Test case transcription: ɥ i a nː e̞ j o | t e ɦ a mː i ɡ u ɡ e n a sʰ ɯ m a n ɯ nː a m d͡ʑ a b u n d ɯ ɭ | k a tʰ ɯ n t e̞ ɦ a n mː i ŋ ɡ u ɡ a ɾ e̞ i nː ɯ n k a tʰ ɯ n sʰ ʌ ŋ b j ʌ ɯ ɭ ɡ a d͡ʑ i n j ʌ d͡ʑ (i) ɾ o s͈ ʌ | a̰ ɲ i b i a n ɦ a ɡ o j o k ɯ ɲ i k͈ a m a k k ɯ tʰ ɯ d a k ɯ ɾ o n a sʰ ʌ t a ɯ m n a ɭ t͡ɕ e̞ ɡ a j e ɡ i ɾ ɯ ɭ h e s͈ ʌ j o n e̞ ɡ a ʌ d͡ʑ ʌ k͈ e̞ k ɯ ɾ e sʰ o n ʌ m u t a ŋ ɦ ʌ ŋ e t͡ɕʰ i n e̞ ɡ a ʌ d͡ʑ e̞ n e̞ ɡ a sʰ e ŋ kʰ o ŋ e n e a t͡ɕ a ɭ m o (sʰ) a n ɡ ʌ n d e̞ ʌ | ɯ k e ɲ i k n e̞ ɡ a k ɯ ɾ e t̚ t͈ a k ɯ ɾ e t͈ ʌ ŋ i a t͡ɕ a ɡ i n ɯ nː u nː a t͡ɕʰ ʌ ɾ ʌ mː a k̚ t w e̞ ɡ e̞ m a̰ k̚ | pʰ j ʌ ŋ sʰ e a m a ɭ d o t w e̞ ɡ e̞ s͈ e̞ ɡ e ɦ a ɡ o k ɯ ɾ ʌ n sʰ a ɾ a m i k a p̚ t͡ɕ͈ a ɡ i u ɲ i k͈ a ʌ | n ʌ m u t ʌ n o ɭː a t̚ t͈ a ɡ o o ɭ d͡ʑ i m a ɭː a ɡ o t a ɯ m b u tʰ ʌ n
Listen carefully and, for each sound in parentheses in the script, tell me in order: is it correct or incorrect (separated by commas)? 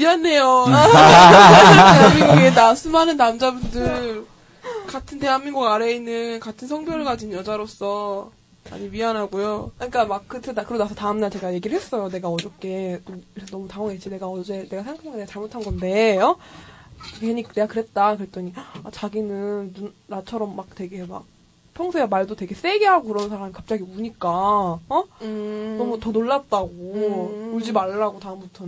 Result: incorrect, incorrect